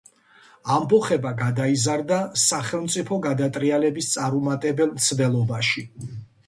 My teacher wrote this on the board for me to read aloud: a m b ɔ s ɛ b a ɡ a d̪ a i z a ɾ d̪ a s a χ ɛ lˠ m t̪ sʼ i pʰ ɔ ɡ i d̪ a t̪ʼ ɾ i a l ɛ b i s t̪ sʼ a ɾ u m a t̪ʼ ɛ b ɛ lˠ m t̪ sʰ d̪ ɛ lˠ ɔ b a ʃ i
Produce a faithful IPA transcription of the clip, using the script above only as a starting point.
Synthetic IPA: a m b ɔ χ ɛ b a ɡ a d̪ a i z a ɾ d̪ a s a χ ɛ lˠ m t̪ sʼ i pʰ ɔ ɡ a d̪ a t̪ʼ ɾ i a l ɛ b i s t̪ sʼ a ɾ u m a t̪ʼ ɛ b ɛ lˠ m t̪ sʰ d̪ ɛ lˠ ɔ b a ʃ i